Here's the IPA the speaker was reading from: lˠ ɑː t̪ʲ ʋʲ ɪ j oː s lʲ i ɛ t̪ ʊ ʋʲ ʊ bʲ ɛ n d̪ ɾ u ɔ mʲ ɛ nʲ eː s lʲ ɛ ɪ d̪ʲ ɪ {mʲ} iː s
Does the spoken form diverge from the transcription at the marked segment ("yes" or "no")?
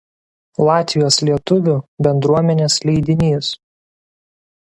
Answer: yes